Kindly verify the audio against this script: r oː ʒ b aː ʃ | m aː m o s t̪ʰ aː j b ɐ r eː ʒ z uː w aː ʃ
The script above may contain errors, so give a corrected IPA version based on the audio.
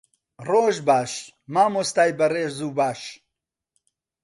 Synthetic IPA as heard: r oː ʒ b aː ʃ | m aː m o s t̪ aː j b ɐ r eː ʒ z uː b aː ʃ